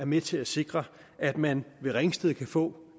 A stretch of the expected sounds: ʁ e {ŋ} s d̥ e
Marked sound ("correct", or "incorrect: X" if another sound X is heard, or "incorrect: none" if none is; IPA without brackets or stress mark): correct